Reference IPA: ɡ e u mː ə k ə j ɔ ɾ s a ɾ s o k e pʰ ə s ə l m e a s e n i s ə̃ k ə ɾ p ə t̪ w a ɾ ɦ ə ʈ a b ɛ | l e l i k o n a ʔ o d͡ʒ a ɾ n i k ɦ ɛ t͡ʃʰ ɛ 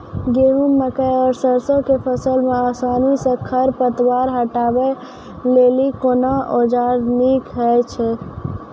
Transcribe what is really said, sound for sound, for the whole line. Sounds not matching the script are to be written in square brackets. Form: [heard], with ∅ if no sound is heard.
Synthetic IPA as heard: ɡ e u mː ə k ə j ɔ ɾ s [ə] ɾ s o k e pʰ ə s ə l m e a s [a] n i s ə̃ [kʰ] ə ɾ p ə t̪ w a ɾ ɦ ə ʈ a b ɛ | l e l i k o n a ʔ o d͡ʒ a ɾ n i k ɦ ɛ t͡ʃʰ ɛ